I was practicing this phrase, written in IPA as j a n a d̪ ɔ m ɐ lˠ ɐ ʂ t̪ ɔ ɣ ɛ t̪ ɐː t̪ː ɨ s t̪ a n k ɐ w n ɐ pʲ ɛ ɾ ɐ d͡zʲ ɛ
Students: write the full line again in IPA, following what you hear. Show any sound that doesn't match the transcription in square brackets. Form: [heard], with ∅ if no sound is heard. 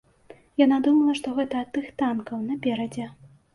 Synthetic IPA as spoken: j a n a d̪ [u] m ɐ lˠ ɐ ʂ t̪ ɔ ɣ ɛ t̪ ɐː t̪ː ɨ [x] t̪ a n k ɐ w n ɐ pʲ ɛ ɾ ɐ d͡zʲ ɛ